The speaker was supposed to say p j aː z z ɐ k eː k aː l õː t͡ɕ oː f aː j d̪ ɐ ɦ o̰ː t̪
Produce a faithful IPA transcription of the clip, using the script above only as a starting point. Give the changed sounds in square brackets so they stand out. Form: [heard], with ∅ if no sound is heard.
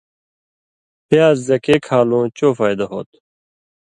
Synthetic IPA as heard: p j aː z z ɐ k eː [kʰ] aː l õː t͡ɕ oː f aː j d̪ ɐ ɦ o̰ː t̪

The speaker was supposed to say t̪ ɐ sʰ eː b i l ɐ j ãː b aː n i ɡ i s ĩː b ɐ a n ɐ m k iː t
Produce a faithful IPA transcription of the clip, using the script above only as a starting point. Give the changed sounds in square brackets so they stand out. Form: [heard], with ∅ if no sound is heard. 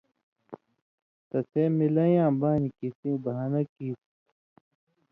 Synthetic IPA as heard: t̪ ɐ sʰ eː [m] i l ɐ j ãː b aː n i [k] i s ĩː b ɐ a n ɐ [∅] k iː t

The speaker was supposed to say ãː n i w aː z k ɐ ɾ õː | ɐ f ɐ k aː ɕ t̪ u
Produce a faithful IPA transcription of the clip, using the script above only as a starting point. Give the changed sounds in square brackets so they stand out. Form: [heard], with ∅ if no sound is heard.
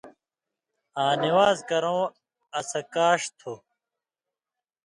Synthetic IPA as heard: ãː n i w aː z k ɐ ɾ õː | ɐ [s] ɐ k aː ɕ [t̪ʰ] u

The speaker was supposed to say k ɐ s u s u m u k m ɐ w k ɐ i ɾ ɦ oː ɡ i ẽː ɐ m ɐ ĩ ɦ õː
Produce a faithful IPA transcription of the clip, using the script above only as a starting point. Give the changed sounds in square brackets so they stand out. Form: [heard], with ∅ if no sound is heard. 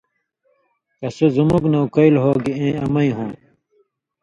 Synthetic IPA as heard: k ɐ s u [z] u m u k [n] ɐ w k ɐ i [l] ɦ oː ɡ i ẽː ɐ m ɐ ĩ ɦ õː

